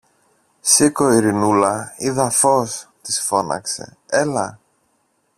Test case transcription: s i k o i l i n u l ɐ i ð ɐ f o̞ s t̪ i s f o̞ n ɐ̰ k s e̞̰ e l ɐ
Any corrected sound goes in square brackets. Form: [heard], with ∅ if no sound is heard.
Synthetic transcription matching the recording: s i k o i [ɾ] i n u l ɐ i ð ɐ f o̞ s t̪ i s f o̞ n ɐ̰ k s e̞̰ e l ɐ